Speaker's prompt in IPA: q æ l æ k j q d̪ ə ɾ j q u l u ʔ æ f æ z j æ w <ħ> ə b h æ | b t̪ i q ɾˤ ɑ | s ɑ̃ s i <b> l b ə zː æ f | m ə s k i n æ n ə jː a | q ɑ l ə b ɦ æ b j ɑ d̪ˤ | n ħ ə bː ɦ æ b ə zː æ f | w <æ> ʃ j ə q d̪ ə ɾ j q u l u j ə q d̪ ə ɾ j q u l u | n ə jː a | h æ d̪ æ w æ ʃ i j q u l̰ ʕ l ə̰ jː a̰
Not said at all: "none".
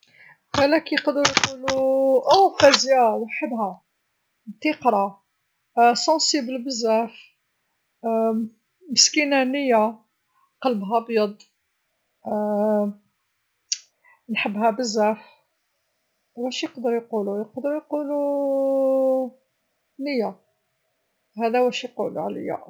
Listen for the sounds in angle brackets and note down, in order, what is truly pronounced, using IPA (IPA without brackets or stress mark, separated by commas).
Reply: ħ, b, æ